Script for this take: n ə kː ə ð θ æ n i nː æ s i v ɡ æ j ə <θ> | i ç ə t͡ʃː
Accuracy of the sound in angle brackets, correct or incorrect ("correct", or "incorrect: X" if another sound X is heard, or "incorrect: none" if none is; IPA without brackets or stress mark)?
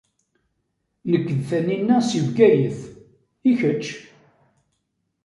correct